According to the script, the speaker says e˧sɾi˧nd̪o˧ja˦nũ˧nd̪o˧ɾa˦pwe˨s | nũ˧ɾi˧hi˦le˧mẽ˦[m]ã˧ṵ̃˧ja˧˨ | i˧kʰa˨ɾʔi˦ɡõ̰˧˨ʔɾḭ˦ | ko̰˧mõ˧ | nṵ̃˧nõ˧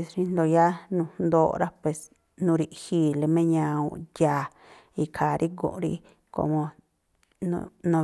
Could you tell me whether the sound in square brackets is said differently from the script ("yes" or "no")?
yes